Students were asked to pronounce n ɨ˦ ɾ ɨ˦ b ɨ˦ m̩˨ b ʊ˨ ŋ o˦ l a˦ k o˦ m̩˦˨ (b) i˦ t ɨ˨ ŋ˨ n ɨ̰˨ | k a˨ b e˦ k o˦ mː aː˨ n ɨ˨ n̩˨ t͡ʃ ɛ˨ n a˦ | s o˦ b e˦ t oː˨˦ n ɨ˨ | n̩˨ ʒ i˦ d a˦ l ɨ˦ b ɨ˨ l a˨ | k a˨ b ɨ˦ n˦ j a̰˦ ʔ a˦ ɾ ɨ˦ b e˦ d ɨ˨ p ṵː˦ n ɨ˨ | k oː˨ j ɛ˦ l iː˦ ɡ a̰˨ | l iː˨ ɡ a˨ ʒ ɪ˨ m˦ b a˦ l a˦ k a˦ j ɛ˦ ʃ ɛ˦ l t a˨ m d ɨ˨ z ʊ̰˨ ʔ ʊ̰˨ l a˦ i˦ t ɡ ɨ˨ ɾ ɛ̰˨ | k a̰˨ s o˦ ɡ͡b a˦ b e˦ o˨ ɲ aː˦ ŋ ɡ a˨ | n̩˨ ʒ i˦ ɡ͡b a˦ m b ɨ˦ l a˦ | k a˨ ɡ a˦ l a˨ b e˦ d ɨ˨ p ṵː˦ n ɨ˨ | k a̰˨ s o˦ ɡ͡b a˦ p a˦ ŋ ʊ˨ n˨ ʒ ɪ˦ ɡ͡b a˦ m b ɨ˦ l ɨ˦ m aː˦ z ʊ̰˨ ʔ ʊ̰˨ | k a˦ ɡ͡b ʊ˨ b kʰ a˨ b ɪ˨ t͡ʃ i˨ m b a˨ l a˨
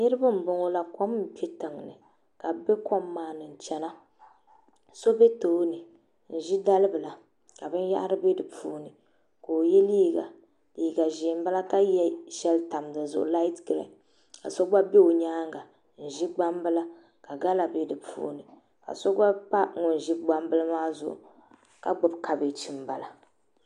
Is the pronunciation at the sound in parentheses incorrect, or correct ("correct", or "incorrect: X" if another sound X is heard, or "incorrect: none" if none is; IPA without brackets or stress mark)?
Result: incorrect: p